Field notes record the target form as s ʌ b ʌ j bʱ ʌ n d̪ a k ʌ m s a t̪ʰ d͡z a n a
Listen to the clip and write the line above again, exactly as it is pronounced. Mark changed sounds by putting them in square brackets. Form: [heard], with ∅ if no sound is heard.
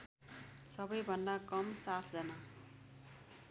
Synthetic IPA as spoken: s ʌ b ʌ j bʱ ʌ n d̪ a k ʌ m s a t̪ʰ d͡z [ʌ] n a